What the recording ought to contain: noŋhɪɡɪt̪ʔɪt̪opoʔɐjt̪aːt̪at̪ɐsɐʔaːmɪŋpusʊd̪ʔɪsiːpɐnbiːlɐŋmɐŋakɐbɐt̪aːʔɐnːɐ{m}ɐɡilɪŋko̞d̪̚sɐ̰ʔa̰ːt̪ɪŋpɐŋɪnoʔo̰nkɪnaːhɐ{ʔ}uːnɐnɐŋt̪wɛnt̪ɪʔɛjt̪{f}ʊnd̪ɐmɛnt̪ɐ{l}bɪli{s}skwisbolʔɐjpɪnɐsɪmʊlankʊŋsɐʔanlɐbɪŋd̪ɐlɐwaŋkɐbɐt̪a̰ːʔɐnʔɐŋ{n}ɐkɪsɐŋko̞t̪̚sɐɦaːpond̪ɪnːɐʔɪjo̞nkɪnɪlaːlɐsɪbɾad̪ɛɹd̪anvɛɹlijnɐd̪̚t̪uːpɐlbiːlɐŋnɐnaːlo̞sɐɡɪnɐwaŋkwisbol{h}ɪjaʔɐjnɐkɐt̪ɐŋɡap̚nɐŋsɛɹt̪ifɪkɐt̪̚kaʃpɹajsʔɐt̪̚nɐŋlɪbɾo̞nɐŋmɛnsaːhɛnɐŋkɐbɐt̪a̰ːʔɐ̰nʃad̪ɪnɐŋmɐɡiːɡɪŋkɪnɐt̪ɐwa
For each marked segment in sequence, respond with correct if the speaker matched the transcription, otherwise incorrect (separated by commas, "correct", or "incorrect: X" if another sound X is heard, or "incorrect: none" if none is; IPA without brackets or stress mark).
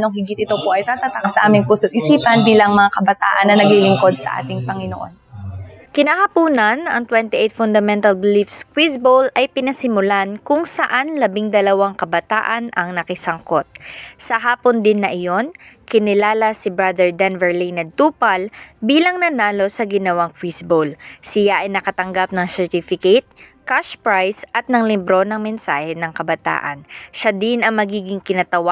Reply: incorrect: n, incorrect: p, correct, correct, incorrect: f, correct, incorrect: s